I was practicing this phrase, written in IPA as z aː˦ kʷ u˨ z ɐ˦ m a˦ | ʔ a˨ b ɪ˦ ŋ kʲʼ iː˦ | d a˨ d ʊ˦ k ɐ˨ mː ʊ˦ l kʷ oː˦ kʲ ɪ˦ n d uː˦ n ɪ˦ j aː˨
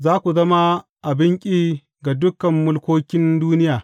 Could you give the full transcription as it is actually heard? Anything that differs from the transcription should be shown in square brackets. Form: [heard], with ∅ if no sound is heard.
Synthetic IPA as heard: z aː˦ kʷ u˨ z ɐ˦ m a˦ | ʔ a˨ b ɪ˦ ŋ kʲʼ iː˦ | [ɡ] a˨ d ʊ˦ k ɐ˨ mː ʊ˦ l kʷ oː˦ kʲ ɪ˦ n d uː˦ n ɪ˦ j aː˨